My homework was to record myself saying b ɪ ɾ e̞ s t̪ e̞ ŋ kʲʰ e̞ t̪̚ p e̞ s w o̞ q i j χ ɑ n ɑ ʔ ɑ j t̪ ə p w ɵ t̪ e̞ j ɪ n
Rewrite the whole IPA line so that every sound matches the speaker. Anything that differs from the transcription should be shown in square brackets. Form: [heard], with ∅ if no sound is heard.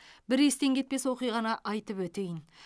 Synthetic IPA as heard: b ɪ ɾ e̞ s t̪ e̞ ŋ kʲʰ e̞ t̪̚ p e̞ s w o̞ q i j [ʁ] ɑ n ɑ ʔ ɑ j t̪ ə p w ɵ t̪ e̞ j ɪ n